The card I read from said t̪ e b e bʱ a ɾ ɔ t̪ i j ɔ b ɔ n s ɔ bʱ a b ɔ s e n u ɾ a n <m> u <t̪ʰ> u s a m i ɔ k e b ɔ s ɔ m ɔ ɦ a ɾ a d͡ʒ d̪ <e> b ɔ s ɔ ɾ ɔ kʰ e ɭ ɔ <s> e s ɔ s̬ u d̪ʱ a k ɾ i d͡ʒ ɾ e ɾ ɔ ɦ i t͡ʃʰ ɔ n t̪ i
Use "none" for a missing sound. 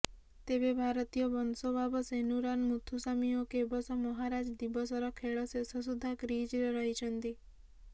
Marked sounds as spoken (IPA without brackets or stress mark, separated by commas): m, t̪ʰ, i, s